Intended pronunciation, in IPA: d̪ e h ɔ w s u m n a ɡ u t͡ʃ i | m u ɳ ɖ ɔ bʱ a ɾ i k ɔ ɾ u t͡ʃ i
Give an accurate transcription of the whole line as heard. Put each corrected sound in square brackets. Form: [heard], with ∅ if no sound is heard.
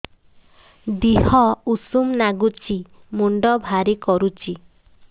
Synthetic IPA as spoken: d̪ [i] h ɔ [u] s u m n a ɡ u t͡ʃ i | m u ɳ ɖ ɔ bʱ a ɾ i k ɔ ɾ u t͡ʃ i